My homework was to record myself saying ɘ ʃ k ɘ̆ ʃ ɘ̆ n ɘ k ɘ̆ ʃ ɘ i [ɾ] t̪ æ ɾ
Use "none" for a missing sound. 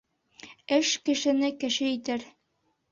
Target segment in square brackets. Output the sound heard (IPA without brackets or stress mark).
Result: none